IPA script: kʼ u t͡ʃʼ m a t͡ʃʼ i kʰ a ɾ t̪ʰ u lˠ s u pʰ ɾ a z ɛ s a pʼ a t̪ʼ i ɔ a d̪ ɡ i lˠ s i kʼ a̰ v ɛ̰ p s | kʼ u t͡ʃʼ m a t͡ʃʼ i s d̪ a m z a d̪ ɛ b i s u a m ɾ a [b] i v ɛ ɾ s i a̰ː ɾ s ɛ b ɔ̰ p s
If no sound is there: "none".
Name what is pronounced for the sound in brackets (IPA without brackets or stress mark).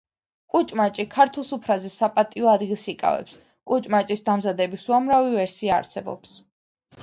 v